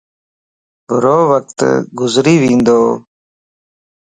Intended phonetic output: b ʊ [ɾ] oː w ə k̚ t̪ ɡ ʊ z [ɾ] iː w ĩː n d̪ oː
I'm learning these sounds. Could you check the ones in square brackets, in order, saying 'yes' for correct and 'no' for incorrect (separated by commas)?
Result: yes, yes